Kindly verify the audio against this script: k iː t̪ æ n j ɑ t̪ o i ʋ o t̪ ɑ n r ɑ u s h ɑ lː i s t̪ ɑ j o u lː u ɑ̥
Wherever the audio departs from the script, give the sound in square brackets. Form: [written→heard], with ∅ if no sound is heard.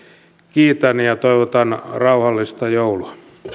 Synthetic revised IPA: k iː t̪ æ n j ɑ t̪ o i ʋ o t̪ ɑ n r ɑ u [s→∅] h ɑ lː i s t̪ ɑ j o u [lː→l] u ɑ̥